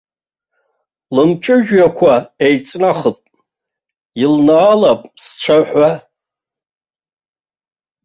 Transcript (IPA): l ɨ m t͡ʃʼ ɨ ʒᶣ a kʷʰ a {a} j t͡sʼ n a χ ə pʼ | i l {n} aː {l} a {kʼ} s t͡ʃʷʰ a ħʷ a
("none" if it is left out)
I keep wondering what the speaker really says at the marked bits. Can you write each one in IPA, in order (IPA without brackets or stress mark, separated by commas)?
e, n, l, pʼ